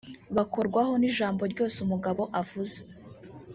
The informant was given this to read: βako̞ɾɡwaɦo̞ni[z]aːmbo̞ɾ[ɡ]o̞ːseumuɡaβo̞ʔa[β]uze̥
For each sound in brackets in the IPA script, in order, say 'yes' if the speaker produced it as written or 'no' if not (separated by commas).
no, no, no